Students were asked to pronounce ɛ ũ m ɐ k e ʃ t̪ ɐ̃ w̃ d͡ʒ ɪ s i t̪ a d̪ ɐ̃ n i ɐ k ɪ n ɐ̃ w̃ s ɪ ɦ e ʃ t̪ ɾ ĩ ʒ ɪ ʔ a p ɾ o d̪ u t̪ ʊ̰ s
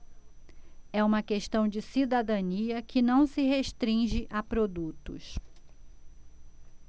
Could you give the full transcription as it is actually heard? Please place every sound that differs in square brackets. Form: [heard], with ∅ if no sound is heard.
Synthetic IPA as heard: ɛ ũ m ɐ k e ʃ t̪ ɐ̃ w̃ d͡ʒ ɪ s i [d̪] a d̪ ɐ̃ n i ɐ k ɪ n ɐ̃ w̃ s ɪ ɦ e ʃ t̪ ɾ ĩ ʒ ɪ ʔ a p ɾ o d̪ u t̪ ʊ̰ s